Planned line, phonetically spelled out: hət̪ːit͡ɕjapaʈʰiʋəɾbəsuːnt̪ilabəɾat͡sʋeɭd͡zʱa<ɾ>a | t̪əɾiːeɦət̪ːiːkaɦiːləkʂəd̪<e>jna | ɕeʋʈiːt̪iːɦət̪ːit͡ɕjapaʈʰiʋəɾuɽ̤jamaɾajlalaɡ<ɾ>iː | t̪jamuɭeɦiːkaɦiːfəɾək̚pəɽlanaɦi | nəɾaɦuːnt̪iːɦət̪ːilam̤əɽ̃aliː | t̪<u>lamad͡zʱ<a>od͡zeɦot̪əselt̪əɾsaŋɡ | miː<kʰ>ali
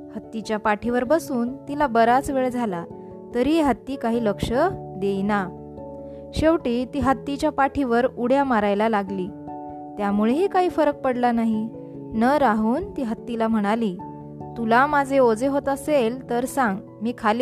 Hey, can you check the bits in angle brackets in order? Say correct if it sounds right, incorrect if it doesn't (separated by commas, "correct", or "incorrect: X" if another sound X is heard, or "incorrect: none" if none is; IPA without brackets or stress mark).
incorrect: l, correct, incorrect: l, correct, incorrect: e, correct